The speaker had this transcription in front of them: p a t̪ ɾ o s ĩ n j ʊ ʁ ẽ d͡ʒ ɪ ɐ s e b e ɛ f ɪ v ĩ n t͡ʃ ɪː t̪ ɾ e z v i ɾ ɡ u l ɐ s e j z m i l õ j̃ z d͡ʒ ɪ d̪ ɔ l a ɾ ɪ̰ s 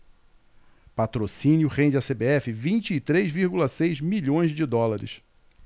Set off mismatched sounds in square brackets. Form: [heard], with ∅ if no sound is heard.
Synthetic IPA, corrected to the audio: p a t̪ ɾ o s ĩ n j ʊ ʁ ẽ d͡ʒ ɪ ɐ s e b e ɛ f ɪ v ĩ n t͡ʃ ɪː t̪ ɾ e z v i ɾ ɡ u l ɐ s e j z m i [ʎ] õ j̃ z d͡ʒ ɪ d̪ ɔ l a ɾ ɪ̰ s